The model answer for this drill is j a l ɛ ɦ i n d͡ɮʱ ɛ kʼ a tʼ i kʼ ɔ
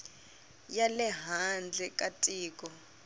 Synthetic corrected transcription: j a l ɛ ɦ a n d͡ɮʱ ɛ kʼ a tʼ iː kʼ ɔ